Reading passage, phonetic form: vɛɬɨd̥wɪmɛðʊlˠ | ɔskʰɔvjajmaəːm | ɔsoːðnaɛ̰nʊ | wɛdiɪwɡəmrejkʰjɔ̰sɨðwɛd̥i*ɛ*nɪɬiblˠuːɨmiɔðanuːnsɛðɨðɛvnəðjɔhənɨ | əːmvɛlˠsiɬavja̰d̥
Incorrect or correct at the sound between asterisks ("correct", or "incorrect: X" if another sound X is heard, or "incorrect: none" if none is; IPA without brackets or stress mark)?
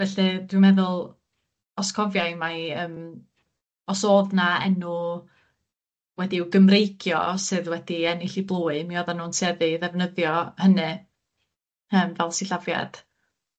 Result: correct